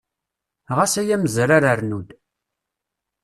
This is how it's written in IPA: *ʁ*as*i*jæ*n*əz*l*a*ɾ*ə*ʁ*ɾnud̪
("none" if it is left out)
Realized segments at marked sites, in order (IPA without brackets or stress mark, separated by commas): ʁ, æ, m, ɾ, ɾ, none